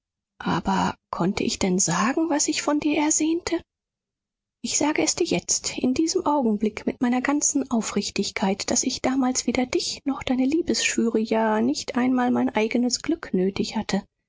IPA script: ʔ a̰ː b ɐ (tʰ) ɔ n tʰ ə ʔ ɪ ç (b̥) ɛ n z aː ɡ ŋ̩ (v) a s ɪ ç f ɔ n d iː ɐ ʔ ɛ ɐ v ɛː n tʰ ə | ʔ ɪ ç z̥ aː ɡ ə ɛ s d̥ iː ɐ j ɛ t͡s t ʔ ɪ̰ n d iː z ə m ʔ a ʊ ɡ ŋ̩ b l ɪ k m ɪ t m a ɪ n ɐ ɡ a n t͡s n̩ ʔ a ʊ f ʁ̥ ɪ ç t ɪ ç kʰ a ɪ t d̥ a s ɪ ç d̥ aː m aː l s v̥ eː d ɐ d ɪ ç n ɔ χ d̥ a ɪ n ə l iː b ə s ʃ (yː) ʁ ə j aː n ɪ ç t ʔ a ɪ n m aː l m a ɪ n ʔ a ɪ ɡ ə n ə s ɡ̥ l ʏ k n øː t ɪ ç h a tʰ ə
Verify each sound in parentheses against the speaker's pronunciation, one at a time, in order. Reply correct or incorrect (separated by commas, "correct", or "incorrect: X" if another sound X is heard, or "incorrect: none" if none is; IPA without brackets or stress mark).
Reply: incorrect: kʰ, incorrect: d̥, correct, correct